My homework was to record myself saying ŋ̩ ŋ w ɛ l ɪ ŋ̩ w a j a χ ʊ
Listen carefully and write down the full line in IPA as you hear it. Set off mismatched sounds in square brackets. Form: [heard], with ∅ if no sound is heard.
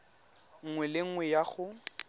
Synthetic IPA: ŋ̩ ŋ w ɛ l ɪ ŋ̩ w [ɛ] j a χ ʊ

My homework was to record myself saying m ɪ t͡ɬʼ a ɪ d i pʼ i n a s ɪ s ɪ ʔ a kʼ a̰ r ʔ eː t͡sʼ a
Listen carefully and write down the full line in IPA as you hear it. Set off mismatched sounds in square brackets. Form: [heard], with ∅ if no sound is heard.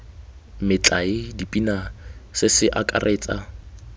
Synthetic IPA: m ɪ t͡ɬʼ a ɪ d i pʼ i n a s ɪ s ɪ ʔ a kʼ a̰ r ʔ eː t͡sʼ a

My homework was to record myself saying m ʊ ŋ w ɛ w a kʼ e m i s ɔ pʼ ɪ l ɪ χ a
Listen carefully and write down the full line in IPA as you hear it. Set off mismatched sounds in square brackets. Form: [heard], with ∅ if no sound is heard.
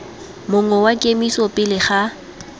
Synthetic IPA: m ʊ ŋ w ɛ w a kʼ e m i s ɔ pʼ ɪ l ɪ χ a

